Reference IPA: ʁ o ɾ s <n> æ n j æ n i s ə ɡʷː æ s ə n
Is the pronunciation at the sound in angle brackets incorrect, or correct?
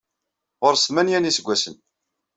incorrect